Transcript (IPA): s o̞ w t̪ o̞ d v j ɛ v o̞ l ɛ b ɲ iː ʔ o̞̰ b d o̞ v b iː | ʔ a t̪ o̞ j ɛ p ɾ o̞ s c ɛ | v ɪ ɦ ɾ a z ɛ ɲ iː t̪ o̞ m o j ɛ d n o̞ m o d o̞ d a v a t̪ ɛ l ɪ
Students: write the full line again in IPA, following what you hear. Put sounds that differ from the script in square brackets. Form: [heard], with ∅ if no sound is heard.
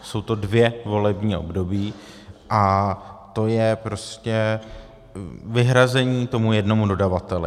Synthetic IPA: s o̞ w t̪ o̞ d v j ɛ v o̞ l ɛ b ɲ iː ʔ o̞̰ b d o̞ [∅] b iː | ʔ a t̪ o̞ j ɛ p ɾ o̞ s c ɛ | v ɪ ɦ ɾ a z ɛ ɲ iː t̪ o̞ m [u] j ɛ d n o̞ m [u] d o̞ d a v a t̪ ɛ l ɪ